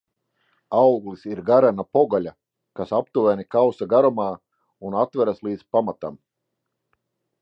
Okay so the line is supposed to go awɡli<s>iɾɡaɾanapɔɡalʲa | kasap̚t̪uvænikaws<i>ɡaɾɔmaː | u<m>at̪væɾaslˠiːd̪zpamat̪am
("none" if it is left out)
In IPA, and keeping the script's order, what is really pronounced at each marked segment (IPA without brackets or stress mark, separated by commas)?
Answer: s, a, n